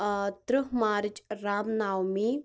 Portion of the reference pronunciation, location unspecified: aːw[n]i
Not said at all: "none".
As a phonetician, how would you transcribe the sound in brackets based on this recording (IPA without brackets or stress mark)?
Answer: m